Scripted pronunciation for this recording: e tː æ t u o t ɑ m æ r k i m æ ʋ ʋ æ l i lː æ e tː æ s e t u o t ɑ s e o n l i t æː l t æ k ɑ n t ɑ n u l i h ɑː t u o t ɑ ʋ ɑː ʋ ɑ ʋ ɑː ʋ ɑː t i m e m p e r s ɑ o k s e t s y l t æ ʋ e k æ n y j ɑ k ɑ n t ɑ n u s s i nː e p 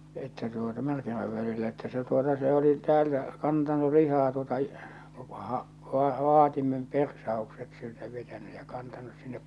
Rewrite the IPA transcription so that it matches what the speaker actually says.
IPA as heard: e tː æ t u o t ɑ m æ r k i m æ ʋ ʋ æ l i lː æ e tː æ s e t u o t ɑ s e o l i t æː l t æ k ɑ n t ɑ n u l i h ɑː t u o t ɑ ʋ ɑː ʋ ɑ ʋ ɑ ʋ ɑː t i m e m p e r s ɑ o k s e t s i l t æ ʋ e t æ n y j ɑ k ɑ n t ɑ n u s s i nː e p